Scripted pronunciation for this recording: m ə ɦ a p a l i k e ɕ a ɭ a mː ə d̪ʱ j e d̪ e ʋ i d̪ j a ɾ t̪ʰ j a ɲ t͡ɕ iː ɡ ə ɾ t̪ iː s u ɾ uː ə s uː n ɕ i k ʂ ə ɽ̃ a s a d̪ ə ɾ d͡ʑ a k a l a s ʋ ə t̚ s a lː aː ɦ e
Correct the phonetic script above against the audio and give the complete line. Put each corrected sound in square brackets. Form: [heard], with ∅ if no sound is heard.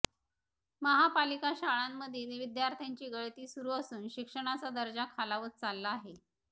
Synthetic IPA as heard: m ə ɦ a p a l i k [a] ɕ a ɭ a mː ə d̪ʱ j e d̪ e ʋ i d̪ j a ɾ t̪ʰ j a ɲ t͡ɕ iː ɡ ə [ɭ] t̪ iː s u ɾ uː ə s uː n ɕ i k ʂ ə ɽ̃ a [t͡s] a d̪ ə ɾ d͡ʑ a [kʰ] a l a [∅] ʋ ə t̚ [t͡s] a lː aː ɦ e